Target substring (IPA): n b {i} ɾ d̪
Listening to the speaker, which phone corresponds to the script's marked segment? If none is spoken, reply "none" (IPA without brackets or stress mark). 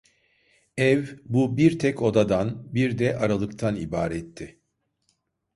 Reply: i